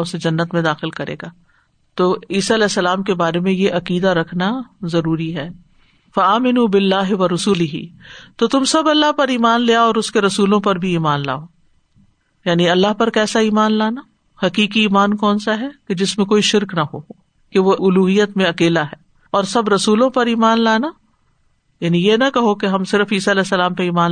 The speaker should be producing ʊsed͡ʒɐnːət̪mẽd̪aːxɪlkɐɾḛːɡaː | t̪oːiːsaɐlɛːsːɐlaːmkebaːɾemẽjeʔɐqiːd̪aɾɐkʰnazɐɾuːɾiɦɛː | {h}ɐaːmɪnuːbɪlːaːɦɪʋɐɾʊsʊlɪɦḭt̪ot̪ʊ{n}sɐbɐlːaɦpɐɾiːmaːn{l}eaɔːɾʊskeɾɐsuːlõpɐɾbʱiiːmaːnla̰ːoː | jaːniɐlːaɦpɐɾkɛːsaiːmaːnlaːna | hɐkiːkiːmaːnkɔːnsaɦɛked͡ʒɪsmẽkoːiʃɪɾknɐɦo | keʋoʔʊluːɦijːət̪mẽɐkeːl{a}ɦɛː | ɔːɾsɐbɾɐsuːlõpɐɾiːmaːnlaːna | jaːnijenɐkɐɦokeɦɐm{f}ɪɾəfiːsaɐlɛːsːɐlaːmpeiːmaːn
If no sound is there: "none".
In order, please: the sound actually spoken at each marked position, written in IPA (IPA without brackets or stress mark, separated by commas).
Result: f, m, l, a, s